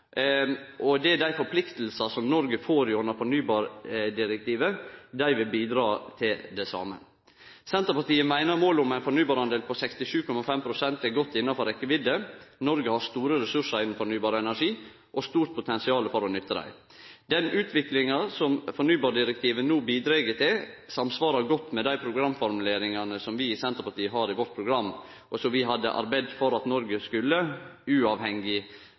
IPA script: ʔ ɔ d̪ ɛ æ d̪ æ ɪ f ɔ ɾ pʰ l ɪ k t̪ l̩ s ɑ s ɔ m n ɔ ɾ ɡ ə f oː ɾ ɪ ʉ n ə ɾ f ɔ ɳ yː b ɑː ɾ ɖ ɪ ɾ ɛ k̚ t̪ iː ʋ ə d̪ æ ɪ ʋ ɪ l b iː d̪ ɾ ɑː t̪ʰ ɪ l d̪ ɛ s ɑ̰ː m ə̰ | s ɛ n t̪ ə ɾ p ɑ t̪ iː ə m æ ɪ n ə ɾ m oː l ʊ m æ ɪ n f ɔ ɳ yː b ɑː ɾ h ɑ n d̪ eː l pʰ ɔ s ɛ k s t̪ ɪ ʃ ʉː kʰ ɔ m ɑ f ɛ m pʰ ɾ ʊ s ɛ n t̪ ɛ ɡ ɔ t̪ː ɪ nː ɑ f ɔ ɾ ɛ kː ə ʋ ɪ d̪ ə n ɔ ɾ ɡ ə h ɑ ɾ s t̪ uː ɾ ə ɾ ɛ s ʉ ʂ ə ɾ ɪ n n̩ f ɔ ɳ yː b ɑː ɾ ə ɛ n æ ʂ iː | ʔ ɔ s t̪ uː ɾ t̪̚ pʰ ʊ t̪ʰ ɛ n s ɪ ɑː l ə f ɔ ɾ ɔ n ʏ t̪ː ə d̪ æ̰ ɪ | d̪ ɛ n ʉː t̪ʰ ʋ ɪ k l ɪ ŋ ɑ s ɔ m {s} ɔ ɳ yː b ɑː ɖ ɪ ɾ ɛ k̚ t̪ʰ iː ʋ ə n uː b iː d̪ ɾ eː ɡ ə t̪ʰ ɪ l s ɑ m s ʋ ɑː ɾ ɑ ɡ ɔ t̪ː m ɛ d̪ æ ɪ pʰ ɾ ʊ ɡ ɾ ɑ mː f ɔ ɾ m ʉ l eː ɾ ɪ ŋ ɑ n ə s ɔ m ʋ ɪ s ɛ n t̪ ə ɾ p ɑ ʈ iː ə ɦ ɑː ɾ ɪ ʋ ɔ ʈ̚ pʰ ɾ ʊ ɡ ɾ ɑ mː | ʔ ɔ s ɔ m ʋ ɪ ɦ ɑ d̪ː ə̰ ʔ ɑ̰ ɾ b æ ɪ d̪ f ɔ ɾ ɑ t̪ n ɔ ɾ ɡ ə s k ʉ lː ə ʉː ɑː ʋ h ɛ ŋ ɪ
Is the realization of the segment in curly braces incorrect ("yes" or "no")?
yes